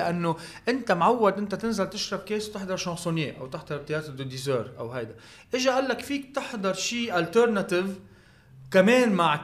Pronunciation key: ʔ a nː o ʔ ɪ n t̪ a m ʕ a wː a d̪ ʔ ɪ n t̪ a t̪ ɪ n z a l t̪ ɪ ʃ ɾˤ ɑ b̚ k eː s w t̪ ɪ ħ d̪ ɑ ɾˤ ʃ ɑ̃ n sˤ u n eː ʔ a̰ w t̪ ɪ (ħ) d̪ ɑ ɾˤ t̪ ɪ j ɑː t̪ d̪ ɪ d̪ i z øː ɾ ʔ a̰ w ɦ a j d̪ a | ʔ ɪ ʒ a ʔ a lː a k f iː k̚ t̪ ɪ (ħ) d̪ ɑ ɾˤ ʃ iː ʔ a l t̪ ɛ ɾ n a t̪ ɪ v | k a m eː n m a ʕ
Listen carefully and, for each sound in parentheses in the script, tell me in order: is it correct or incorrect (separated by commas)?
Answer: correct, correct